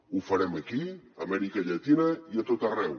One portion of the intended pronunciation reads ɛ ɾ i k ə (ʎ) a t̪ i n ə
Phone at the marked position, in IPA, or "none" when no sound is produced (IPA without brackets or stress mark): ʎ